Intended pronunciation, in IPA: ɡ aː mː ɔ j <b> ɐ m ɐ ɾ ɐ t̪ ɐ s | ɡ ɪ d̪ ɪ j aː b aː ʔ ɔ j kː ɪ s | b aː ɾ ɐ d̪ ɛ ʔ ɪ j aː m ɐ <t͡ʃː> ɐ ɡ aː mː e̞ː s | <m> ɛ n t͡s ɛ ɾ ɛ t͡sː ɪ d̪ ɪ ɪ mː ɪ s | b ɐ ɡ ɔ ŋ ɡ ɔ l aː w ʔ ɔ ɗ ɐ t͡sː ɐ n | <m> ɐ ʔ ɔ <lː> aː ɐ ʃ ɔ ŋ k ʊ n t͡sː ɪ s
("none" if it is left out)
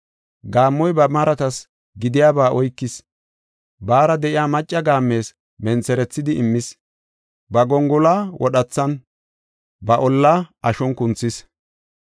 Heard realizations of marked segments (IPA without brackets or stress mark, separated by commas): b, t͡ʃʼː, m, b, lː